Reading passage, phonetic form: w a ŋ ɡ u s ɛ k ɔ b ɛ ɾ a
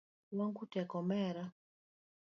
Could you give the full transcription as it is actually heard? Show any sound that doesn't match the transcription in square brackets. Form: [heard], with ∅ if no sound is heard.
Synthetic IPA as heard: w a ŋ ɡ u [t] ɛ k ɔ [m] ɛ ɾ a